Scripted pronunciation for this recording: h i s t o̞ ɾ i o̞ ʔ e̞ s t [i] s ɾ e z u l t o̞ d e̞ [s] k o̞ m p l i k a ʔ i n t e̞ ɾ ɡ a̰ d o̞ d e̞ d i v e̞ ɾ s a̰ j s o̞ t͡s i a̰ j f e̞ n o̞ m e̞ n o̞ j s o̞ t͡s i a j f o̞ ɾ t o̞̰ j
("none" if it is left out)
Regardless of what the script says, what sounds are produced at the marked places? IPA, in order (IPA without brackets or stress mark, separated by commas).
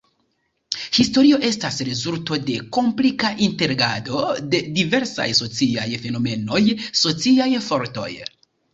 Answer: a, none